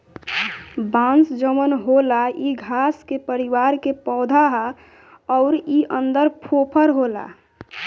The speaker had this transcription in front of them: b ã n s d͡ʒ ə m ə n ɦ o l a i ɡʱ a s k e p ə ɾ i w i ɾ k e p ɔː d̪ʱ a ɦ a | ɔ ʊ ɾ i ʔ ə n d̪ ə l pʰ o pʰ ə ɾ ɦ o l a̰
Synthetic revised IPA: b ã n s d͡ʒ ə m ə n ɦ o l a i ɡʱ a s k e p ə ɾ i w a ɾ k e p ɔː d̪ʱ a ɦ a | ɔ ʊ ɾ i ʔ ə n d̪ ə ɾ pʰ o pʰ ə ɾ ɦ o l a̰